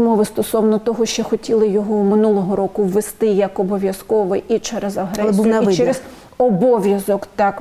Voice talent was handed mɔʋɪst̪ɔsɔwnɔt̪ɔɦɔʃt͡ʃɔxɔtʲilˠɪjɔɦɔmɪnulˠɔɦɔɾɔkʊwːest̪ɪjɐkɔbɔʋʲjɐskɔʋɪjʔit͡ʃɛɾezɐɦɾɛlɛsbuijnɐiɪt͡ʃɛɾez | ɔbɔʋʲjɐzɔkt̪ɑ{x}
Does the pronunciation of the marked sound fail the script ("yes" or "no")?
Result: yes